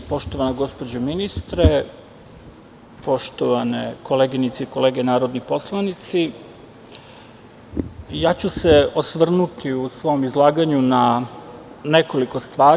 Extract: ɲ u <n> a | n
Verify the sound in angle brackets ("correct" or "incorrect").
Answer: correct